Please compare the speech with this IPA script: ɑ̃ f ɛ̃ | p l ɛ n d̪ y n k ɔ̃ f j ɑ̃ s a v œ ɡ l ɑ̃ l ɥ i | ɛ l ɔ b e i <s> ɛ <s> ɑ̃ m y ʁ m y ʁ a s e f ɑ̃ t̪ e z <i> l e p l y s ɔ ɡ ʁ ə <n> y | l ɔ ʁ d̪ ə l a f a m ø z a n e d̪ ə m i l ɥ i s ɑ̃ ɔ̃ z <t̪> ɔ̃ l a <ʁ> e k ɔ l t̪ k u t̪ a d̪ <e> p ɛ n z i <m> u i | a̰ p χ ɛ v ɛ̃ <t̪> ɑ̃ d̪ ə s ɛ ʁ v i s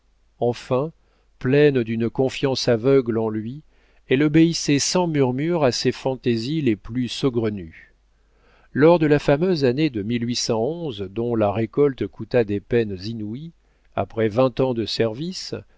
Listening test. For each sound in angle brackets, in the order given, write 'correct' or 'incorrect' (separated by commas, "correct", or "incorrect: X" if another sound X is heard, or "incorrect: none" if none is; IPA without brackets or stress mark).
correct, correct, correct, correct, incorrect: d̪, correct, correct, incorrect: n, correct